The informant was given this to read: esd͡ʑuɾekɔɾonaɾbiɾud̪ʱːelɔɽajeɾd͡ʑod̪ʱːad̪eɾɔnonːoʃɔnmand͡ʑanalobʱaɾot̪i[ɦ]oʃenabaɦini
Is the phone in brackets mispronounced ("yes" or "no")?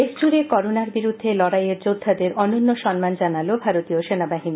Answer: yes